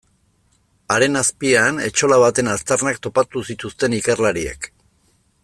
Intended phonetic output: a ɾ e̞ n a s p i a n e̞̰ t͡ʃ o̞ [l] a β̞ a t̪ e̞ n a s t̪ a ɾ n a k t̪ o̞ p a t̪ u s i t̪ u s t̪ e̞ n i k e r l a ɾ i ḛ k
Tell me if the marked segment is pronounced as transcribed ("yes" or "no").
yes